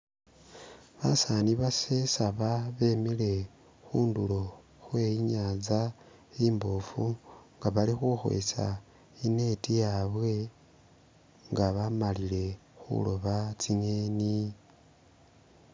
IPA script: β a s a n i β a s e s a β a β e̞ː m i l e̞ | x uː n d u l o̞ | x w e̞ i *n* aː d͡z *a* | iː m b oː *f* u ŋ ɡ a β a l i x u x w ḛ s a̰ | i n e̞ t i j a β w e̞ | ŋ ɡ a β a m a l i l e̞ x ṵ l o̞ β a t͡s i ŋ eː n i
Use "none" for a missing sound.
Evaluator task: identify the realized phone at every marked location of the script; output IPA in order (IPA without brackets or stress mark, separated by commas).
ɲ, a, f